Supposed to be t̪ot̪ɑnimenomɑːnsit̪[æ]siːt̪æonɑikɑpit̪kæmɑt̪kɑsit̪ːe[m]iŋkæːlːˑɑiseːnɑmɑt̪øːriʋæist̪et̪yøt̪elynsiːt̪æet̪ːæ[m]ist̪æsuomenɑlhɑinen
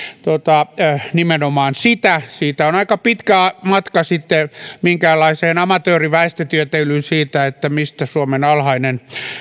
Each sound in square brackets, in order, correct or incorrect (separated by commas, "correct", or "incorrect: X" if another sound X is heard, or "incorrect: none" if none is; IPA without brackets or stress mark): correct, correct, correct